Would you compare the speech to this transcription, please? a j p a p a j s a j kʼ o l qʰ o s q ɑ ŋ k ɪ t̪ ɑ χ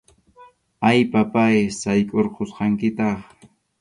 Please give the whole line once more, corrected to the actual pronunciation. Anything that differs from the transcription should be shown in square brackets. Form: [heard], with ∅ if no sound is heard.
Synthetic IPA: a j p a p a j s a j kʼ o [ɾ] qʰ o s q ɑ ŋ k ɪ t̪ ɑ χ

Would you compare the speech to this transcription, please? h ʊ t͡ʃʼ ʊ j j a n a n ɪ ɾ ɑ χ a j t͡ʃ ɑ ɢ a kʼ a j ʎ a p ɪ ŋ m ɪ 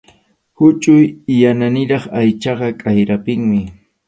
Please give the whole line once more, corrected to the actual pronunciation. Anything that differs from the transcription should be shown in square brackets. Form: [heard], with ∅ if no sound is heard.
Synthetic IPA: h ʊ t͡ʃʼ ʊ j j a n a n ɪ ɾ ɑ χ a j t͡ʃ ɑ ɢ [ɑ] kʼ a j [ɾ] a p ɪ ŋ m ɪ

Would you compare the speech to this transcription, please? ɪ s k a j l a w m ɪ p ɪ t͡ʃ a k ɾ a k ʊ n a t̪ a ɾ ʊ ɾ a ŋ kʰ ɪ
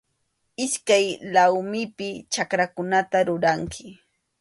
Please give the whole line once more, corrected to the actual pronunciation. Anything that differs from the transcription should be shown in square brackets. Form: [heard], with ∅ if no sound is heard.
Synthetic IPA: ɪ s k a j l a w m ɪ p ɪ t͡ʃ a k ɾ a k ʊ n a t̪ a ɾ ʊ ɾ a ŋ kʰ ɪ

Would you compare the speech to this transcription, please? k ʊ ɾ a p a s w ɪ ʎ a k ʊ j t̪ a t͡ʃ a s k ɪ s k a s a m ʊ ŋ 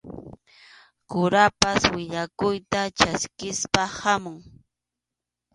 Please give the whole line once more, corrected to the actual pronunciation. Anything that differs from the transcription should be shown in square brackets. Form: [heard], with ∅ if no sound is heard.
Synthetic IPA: k ʊ ɾ a p a s w ɪ ʎ a k ʊ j t̪ a t͡ʃ a s k ɪ s [p] a [h] a m ʊ ŋ

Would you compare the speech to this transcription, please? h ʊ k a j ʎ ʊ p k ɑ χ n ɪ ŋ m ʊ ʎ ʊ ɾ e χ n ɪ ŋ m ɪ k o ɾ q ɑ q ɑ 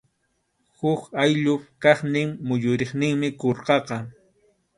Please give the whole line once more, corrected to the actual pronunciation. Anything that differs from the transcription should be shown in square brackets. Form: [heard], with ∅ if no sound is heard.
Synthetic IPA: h ʊ k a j ʎ ʊ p k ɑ χ n ɪ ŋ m ʊ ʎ ʊ ɾ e χ n ɪ ŋ m ɪ k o ɾ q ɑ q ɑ

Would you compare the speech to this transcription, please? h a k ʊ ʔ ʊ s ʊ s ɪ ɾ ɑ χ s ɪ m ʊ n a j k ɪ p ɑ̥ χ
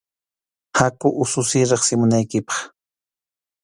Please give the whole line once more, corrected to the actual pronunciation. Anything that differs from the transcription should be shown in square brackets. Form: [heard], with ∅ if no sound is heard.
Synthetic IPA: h a k ʊ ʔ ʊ s ʊ s ɪ ɾ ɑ χ s ɪ m ʊ n a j k ɪ p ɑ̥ χ

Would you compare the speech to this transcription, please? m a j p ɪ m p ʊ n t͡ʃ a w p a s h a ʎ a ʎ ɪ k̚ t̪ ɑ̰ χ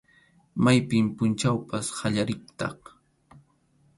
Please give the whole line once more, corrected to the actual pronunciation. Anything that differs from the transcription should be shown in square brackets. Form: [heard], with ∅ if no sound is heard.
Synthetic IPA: m a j p ɪ m p ʊ n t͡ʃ a w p a s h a ʎ a [ɾ] ɪ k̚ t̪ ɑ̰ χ

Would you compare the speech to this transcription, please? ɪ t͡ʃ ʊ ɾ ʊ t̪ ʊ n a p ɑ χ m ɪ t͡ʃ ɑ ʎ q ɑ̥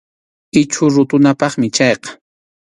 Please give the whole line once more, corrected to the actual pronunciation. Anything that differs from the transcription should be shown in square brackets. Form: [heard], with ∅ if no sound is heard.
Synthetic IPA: ɪ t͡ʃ ʊ ɾ ʊ t̪ ʊ n a p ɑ χ m ɪ t͡ʃ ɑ [j] q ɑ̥

